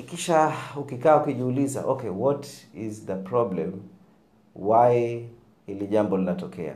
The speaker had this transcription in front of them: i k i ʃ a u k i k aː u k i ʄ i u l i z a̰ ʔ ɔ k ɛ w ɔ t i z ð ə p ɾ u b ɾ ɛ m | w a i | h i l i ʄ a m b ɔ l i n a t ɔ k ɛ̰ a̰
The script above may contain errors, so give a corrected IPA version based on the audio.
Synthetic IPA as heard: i k i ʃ a u k i k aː u k i ʄ i u l i z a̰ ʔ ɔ k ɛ w ɔ t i z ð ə p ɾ ɔ b l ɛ m | w a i | h i l i ʄ a m b ɔ l i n a t ɔ k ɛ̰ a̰